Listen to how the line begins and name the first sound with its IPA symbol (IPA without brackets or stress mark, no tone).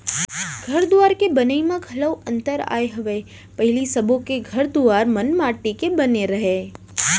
ɡʱ